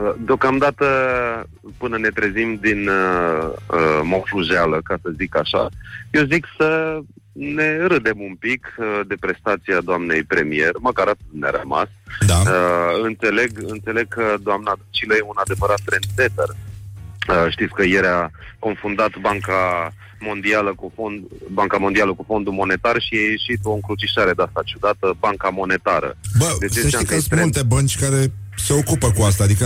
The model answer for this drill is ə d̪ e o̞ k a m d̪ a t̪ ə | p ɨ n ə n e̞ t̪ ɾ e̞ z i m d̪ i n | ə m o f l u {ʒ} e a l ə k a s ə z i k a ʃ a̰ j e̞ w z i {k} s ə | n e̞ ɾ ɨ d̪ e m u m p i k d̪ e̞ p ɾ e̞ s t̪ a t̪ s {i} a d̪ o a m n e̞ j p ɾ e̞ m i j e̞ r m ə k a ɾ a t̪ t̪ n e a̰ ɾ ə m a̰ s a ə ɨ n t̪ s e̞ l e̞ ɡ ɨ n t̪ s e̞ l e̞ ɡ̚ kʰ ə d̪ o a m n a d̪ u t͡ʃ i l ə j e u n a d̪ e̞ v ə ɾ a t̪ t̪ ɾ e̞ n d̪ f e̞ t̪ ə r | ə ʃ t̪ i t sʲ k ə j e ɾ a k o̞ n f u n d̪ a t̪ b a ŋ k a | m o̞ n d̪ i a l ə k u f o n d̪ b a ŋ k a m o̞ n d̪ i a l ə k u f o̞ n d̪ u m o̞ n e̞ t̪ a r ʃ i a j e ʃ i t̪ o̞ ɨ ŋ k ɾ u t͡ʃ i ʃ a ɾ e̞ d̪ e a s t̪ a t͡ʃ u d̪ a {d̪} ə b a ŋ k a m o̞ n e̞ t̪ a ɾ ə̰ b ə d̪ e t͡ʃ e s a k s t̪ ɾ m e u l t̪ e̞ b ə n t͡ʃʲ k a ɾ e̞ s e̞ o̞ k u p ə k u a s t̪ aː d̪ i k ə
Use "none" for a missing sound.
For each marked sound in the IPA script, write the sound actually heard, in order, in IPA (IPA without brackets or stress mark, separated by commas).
ʒ, k, i, t̪